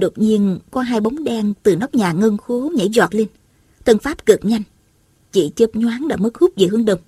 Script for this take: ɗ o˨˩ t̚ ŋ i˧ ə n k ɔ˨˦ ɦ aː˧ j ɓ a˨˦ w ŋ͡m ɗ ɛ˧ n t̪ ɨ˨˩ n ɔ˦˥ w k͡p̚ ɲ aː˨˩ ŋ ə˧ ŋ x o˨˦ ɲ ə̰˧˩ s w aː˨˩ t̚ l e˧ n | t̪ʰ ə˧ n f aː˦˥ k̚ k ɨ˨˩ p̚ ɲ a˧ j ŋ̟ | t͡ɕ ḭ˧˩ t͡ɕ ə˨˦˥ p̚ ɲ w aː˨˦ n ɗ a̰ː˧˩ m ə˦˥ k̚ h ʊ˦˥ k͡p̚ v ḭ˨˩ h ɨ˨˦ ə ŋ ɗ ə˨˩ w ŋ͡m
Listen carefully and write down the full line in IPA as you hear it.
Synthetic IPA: ɗ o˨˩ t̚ ɲ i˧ ə n k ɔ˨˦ ɦ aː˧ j ɓ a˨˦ w ŋ͡m ɗ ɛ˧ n t̪ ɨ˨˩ n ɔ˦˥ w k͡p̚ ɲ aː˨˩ ŋ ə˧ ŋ x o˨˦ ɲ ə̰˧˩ z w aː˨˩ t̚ l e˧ n | t̪ʰ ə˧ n f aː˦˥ p̚ k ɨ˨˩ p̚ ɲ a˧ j ŋ̟ | t͡ɕ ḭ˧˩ t͡ɕ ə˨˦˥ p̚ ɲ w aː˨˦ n ɗ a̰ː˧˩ m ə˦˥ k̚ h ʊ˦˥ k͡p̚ v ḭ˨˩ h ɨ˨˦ ə ŋ ɗ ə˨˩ w ŋ͡m